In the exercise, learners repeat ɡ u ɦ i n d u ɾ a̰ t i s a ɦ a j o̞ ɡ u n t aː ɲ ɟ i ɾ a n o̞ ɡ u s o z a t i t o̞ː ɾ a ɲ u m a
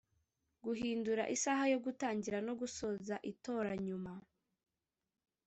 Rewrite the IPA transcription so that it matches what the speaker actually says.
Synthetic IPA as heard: ɡ u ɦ iː n d u ɾ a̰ ʔ i s a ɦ a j o̞ ɡ u t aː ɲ ɟ i ɾ a n o̞ ɡ u s o z a ʔ i t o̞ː ɾ a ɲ u m a